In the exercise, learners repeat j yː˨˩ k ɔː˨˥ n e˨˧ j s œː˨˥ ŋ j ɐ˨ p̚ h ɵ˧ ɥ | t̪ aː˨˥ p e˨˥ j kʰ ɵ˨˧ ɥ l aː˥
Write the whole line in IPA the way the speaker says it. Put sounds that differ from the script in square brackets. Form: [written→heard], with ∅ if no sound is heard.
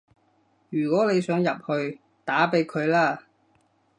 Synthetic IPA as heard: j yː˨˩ k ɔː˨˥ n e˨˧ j s œː˨˥ ŋ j ɐ˨ p̚ h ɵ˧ ɥ | t̪ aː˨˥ p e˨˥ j kʰ ɵ˨˧ ɥ l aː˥